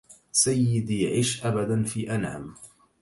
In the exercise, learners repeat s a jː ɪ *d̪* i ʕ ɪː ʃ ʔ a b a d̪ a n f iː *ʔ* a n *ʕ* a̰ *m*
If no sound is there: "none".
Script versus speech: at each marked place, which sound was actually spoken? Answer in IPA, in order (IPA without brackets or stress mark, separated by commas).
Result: d̪, ʔ, ʕ, m